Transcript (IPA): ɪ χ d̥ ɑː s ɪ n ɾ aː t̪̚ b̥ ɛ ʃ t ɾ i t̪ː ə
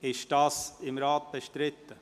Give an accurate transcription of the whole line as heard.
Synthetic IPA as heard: ɪ ʃ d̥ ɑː s ɪ m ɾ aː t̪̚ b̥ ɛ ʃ t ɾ ɪ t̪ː ə